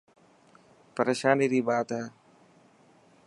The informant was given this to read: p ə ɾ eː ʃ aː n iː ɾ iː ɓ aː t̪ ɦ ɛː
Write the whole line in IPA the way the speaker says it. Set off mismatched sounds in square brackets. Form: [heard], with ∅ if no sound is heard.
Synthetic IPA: p ə ɾ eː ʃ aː n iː ɾ iː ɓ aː t̪ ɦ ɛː